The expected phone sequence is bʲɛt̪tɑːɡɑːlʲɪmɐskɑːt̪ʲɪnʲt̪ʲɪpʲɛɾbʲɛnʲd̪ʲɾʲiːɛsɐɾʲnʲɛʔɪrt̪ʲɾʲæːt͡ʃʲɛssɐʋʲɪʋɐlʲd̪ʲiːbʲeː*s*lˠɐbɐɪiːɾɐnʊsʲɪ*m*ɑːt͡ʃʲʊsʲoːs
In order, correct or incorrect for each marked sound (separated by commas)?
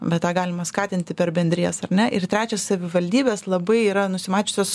correct, correct